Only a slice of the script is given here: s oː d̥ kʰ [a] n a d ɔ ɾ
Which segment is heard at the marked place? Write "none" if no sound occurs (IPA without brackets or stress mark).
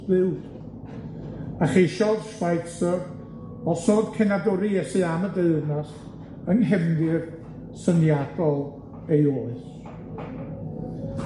ɛ